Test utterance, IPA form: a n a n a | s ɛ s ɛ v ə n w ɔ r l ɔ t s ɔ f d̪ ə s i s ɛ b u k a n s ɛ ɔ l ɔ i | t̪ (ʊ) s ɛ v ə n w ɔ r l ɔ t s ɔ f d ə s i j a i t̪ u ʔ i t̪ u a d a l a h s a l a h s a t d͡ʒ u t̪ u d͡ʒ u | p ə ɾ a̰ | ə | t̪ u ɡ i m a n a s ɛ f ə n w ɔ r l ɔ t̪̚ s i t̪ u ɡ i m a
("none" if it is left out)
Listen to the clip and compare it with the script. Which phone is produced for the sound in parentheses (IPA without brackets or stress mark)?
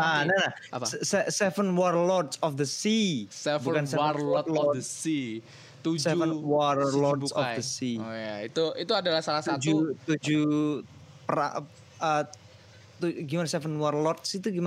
u